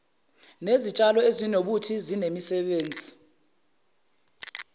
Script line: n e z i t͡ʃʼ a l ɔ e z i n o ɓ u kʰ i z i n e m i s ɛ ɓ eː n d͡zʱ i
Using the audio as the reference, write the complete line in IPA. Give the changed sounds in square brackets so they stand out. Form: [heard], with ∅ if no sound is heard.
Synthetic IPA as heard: n e z i t͡ʃʼ a l ɔ e z i n o ɓ u [tʰ] i z i n e m i s ɛ ɓ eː n d͡zʱ i